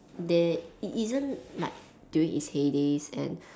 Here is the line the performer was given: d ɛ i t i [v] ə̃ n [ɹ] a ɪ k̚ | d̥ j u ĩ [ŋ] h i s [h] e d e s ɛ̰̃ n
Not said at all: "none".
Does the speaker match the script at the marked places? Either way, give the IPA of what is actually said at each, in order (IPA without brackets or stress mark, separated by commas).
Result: z, l, ŋ, h